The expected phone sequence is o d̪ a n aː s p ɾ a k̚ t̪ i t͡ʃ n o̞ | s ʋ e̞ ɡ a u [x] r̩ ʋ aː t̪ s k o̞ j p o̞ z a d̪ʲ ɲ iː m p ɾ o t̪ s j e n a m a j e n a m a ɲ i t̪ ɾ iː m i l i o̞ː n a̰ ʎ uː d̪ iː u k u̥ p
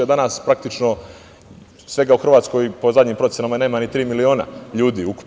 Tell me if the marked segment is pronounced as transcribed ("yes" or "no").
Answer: yes